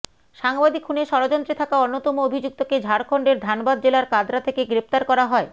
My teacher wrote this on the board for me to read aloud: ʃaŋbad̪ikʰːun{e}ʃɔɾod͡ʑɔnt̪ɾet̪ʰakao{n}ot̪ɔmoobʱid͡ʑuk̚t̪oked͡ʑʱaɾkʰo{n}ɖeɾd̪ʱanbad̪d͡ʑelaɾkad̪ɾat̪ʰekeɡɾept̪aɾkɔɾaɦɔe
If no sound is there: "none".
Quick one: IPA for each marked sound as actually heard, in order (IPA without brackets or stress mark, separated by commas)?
e, nː, ɳ